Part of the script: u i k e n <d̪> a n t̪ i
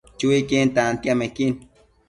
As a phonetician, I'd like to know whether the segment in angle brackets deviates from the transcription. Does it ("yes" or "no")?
yes